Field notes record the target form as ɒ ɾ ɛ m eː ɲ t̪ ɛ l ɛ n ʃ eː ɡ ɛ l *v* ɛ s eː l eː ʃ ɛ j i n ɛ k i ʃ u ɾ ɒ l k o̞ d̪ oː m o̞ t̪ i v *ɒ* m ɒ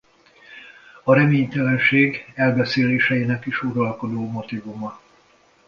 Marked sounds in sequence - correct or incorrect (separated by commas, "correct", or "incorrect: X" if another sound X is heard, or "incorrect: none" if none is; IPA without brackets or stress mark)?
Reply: incorrect: b, incorrect: u